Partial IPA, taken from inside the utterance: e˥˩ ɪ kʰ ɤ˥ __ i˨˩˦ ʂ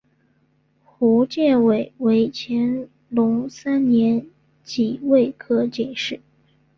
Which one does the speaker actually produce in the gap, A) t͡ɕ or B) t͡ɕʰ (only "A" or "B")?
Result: A